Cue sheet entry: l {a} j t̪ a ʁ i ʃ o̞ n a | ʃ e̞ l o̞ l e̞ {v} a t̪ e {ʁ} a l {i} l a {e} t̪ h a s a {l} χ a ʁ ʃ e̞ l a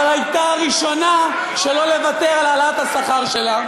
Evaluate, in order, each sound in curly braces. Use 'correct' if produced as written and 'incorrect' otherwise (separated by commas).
correct, correct, correct, incorrect, incorrect, incorrect